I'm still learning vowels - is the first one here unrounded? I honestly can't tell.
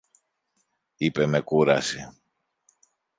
yes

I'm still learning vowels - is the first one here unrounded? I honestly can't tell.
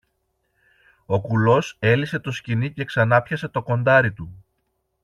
no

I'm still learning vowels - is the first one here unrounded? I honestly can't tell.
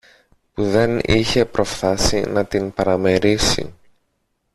no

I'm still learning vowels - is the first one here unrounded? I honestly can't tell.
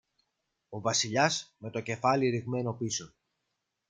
no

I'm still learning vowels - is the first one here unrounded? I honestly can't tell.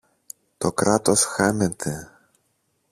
no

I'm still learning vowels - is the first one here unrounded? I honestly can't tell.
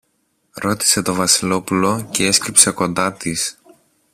no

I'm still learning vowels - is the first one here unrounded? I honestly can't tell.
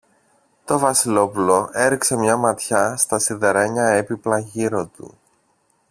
no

